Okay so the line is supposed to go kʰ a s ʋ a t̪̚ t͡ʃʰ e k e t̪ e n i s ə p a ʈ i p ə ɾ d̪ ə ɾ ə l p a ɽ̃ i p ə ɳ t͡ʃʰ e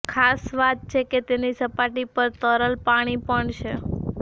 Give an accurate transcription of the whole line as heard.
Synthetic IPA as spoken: kʰ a s ʋ a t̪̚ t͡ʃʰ e k e t̪ e n i s ə p a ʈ i p ə ɾ t̪ ə ɾ ə l p a ɽ̃ i p ə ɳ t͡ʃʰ e